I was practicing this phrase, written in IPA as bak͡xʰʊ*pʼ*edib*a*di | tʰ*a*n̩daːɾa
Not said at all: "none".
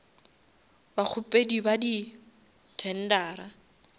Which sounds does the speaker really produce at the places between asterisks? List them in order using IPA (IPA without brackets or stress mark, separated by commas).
pʼ, a, ɛ